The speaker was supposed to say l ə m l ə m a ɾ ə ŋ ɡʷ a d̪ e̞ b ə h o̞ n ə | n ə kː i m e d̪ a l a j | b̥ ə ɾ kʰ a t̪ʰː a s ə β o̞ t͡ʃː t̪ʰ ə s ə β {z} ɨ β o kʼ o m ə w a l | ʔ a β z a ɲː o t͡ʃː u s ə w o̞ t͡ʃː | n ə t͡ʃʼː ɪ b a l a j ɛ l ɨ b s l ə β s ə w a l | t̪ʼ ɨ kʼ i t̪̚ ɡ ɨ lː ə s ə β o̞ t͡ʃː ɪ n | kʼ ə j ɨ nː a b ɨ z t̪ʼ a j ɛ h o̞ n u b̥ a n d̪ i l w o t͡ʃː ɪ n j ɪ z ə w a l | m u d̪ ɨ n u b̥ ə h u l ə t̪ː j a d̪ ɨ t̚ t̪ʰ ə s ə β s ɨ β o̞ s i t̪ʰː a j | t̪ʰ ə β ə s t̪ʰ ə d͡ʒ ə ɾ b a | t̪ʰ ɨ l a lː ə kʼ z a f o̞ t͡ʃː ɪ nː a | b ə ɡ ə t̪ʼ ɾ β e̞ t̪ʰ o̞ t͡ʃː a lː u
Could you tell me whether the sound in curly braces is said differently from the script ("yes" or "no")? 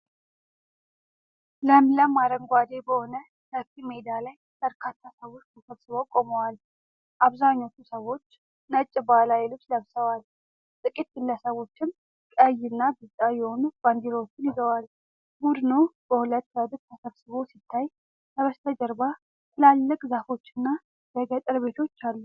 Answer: yes